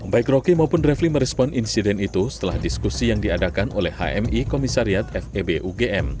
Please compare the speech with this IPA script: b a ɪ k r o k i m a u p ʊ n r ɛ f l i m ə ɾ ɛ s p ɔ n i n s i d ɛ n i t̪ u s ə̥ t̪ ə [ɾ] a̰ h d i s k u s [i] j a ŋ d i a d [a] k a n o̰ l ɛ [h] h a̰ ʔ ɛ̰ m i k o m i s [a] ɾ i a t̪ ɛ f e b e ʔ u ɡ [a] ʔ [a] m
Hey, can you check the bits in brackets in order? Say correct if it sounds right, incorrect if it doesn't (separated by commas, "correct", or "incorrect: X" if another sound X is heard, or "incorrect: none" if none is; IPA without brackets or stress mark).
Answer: incorrect: l, correct, correct, correct, correct, incorrect: e, incorrect: ɛ